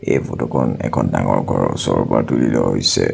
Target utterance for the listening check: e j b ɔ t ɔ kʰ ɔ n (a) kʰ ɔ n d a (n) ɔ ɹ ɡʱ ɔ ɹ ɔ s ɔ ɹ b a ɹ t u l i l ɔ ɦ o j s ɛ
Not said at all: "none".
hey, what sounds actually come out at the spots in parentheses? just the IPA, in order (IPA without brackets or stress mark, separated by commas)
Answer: ɛ, ŋ